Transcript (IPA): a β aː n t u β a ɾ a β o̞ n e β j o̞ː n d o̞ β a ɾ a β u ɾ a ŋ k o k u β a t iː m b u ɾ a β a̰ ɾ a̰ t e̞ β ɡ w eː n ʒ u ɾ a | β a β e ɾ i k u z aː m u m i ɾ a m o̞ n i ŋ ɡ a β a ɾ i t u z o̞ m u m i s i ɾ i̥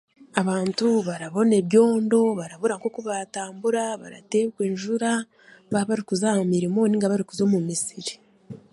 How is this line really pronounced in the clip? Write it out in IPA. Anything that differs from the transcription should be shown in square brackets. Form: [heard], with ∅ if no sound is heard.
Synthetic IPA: a β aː n t u β a ɾ a β o̞ n e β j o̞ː n d o̞ β a ɾ a β u ɾ a ŋ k o k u β a t [aː] m b u ɾ a β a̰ ɾ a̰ t e̞ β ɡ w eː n ʒ u ɾ a | β a β [a] ɾ i k u z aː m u m i ɾ [i] m o̞ n i ŋ ɡ a β a ɾ i [k] u z o̞ m u m i s i ɾ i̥

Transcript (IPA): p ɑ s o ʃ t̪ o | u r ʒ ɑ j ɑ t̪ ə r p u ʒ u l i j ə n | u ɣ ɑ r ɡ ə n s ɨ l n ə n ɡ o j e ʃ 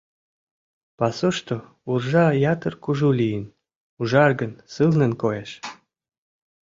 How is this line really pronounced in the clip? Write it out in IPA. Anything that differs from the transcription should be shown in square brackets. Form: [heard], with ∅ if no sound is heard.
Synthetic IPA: p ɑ s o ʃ t̪ o | u r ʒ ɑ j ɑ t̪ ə r [k] u ʒ u l i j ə n | u [ʒ] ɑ r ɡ ə n s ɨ l n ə n [k] o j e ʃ

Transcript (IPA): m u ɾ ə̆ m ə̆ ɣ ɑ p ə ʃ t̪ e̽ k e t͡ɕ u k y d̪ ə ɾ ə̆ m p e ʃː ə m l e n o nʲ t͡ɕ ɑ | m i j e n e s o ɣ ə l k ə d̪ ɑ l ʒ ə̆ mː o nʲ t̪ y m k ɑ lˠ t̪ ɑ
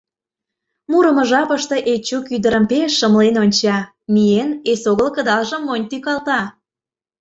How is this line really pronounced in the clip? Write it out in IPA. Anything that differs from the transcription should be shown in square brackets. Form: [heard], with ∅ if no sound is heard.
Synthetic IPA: m u ɾ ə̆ m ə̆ [ʒ] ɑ p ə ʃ t̪ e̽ [ʔ] e t͡ɕ u k y d̪ ə ɾ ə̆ m p e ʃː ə m l e n o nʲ t͡ɕ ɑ | m i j e n e s o ɣ ə l k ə d̪ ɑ l ʒ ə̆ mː o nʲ t̪ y [∅] k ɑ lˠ t̪ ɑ

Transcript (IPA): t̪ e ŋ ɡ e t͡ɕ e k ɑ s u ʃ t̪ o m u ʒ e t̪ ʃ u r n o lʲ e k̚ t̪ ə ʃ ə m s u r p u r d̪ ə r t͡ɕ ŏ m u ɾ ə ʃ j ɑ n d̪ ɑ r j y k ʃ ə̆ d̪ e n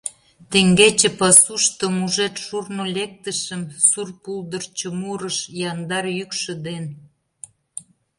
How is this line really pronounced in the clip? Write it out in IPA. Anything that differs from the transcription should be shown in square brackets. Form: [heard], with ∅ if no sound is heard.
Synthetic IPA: t̪ e ŋ ɡ e t͡ɕ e [p] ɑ s u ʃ t̪ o m u ʒ e t̪ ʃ u r n o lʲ e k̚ t̪ ə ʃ ə m s u r p u [l] d̪ ə r t͡ɕ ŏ m u ɾ ə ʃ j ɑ n d̪ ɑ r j y k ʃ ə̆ d̪ e n

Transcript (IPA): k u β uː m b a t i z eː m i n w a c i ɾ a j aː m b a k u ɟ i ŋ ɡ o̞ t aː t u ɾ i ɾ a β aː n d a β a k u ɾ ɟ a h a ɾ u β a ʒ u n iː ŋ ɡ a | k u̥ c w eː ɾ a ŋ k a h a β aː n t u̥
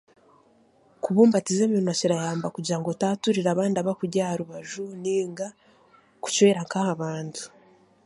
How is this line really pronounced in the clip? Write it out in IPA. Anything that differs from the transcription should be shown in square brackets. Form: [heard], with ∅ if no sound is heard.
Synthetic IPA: k u β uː m b a t i z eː m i n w a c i ɾ a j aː m b a k u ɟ [a] ŋ ɡ o̞ t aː t u ɾ i ɾ a β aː n d a β a k u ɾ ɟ a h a ɾ u β a ʒ u n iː ŋ ɡ a | k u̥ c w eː ɾ a ŋ k a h a β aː n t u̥

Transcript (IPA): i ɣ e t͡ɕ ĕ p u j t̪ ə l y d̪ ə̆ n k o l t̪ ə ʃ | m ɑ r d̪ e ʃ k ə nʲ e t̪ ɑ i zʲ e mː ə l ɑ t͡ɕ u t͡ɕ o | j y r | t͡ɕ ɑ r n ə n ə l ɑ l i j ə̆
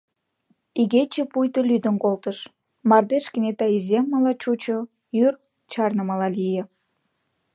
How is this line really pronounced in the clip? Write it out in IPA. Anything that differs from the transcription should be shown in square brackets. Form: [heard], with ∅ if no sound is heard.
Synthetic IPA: i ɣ e t͡ɕ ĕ p u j t̪ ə l y d̪ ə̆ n k o l t̪ ə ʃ | m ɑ r d̪ e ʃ k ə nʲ e t̪ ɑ i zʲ e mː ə l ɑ t͡ɕ u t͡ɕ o | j y r | t͡ɕ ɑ r n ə [m] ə l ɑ l i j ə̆

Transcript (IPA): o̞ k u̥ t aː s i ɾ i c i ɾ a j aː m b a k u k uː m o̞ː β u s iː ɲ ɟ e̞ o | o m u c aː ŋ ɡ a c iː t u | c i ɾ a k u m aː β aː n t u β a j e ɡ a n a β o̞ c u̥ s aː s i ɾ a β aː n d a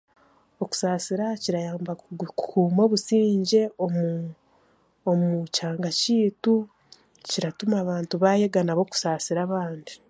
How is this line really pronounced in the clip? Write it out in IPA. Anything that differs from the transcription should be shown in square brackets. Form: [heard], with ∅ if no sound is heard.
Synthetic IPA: o̞ k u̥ [s] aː s i ɾ [a] c i ɾ a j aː m b a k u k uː m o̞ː β u s iː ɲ ɟ e̞ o | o m u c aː ŋ ɡ a c iː t u | c i ɾ a [t] u m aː β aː n t u β a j e ɡ a n a β o̞ [k] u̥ s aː s i ɾ a β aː n d [i]

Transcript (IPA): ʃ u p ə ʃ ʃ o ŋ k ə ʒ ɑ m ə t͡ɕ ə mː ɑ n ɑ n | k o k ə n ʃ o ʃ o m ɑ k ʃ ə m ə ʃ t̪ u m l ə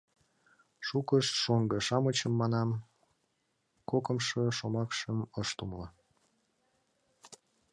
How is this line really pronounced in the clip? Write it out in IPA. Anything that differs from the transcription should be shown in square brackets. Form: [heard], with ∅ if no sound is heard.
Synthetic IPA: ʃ u [k] ə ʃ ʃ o ŋ [ɡ] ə [ʃ] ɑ m ə t͡ɕ ə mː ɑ n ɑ [m] | k o k ə [m] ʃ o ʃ o m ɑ k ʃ ə m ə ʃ t̪ u m l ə

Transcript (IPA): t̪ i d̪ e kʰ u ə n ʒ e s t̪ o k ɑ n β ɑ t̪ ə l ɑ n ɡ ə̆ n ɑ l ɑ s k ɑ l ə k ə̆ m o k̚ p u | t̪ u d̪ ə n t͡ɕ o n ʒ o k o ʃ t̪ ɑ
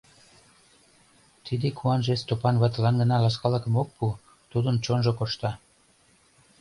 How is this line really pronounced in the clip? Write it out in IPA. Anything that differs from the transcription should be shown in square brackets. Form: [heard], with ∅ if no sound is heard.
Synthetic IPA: t̪ i d̪ e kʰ u [ɑ] n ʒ e s t̪ o [p] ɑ n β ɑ t̪ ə l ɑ n ɡ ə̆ n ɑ l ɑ s k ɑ l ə k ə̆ m o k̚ p u | t̪ u d̪ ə n t͡ɕ o n ʒ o k o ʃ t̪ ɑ

